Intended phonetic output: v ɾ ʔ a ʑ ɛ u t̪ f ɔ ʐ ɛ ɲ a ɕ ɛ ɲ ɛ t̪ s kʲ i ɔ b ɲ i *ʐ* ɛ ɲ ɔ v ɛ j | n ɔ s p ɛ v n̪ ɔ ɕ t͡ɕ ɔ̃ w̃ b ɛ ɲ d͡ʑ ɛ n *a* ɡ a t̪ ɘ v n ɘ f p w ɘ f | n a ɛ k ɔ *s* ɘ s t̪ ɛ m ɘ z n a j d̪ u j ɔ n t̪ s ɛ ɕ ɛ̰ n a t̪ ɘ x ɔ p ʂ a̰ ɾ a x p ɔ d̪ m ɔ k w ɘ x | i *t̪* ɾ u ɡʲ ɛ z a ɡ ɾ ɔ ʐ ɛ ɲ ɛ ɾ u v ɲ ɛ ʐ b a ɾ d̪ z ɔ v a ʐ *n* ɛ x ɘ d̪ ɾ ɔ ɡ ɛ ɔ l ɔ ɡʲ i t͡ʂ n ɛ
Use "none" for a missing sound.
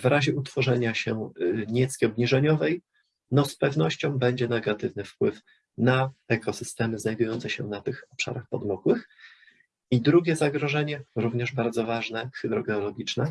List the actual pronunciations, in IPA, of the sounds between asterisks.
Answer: ʐ, ɛ, s, d̪, n

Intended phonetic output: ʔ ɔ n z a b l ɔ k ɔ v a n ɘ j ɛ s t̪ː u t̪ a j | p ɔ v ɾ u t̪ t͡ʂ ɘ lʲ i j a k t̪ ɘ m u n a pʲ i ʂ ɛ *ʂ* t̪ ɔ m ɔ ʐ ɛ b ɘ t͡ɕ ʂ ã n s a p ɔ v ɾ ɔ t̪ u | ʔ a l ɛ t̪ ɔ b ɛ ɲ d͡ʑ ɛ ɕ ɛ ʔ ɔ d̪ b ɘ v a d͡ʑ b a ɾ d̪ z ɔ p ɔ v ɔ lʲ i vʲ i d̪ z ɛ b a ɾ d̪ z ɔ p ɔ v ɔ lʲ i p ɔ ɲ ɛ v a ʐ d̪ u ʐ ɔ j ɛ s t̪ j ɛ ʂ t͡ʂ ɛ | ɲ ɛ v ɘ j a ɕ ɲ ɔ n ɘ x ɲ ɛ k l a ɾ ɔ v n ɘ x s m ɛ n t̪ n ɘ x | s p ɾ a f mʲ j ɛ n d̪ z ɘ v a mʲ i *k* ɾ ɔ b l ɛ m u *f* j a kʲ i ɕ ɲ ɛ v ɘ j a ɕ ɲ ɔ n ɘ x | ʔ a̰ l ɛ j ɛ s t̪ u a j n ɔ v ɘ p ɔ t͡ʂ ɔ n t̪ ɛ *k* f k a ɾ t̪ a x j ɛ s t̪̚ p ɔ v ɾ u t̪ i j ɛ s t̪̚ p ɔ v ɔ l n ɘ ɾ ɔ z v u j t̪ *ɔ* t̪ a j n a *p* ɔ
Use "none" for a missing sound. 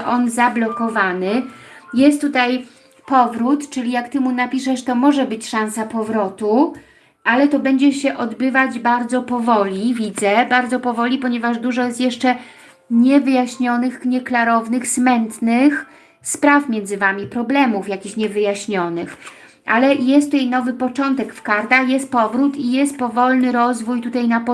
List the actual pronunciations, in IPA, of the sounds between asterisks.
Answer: ʂ, p, f, k, u, p

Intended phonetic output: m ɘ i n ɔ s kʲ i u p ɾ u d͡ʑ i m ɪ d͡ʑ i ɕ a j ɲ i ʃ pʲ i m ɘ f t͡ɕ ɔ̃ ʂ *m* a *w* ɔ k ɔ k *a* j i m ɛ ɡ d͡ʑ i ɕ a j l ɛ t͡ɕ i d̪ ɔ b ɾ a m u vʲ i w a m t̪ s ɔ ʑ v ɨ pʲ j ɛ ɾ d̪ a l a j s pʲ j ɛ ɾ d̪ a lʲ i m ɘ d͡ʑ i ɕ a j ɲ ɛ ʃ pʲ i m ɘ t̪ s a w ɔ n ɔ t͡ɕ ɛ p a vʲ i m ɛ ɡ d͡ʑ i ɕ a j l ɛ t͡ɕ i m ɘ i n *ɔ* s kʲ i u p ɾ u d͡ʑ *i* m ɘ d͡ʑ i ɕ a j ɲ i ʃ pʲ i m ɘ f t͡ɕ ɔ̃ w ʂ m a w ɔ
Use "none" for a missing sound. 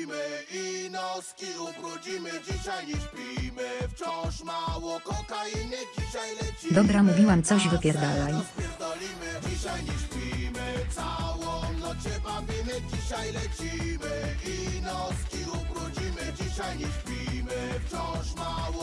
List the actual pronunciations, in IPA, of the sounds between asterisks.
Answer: m, w, a, ɔ, i

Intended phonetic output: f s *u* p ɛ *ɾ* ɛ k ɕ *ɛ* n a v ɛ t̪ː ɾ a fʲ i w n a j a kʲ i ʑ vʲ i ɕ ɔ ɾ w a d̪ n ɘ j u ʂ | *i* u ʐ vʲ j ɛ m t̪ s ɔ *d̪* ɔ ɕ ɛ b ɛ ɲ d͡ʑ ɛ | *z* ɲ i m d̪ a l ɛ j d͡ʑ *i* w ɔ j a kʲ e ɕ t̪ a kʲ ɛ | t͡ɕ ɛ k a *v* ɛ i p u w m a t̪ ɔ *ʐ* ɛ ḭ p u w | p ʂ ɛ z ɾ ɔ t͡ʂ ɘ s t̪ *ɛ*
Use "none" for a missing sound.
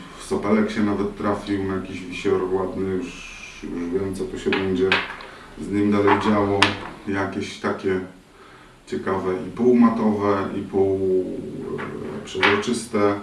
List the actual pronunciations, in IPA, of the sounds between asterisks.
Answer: ɔ, l, ɛ, j, t̪, z, a, v, v, ɛ

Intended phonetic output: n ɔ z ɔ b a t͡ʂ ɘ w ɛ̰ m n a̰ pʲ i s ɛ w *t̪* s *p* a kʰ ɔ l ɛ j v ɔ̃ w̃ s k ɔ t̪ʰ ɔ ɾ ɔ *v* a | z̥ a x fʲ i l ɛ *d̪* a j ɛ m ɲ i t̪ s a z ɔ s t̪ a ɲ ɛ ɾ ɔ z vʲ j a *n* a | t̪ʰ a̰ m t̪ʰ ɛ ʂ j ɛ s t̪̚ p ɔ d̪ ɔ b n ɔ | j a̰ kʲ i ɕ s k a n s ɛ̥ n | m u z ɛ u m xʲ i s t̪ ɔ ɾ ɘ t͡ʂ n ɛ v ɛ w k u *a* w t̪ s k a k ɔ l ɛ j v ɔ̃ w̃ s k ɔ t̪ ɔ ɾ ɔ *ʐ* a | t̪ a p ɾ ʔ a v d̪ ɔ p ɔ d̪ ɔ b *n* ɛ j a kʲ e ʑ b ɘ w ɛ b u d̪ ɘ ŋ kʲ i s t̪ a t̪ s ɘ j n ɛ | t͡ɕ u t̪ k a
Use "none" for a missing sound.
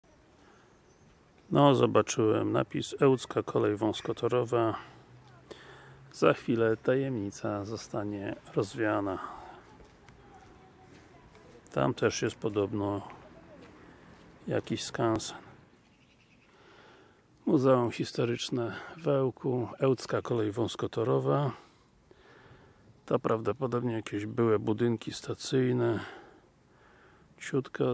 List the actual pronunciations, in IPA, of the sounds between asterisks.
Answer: t̪, k, v, t̪, n, ɛ, v, ɲ

